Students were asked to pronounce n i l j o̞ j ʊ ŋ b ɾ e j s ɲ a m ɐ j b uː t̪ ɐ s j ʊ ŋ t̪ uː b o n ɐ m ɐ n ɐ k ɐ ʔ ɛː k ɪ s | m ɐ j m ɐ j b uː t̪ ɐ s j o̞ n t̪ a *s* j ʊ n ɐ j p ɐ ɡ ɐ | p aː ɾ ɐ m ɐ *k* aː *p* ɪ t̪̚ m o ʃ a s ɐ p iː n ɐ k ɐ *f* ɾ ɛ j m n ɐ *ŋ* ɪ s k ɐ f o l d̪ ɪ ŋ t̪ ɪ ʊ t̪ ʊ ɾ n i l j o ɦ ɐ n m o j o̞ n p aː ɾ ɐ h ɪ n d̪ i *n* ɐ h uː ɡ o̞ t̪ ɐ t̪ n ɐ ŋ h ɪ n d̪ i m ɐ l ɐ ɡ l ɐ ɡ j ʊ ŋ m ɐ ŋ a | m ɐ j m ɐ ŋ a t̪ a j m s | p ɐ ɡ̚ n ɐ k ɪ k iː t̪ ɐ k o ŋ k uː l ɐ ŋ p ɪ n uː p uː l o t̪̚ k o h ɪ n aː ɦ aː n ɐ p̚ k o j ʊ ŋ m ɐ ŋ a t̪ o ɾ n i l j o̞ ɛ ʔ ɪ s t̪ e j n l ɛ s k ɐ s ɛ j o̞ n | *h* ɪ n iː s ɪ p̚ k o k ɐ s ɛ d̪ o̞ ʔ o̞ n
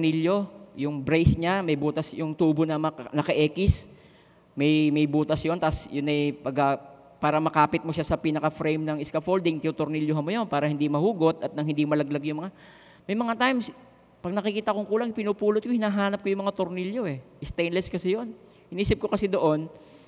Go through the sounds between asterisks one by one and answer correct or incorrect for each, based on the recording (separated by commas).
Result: correct, correct, correct, correct, correct, incorrect, correct